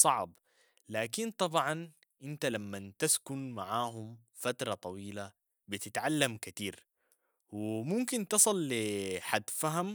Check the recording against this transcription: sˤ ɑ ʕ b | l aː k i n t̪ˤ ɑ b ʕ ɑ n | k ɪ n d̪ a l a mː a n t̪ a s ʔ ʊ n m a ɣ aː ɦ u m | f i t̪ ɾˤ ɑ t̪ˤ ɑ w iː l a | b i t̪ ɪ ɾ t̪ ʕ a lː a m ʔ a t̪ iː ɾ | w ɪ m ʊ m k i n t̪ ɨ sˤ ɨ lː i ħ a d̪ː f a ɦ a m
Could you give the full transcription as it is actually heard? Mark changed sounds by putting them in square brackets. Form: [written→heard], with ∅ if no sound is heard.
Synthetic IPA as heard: sˤ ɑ ʕ b | l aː k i n t̪ˤ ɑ b ʕ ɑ n | [k→ʔ] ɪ n [d̪→t̪] a l a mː a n t̪ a s [ʔ→k] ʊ n m a [ɣ→ʕ] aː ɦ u m | f [i→a] t̪ ɾˤ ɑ t̪ˤ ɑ w iː l a | b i t̪ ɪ [ɾ→∅] t̪ ʕ a lː a m [ʔ→k] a t̪ iː ɾ | w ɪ m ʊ m k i n t̪ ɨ sˤ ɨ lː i ħ a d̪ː f a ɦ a m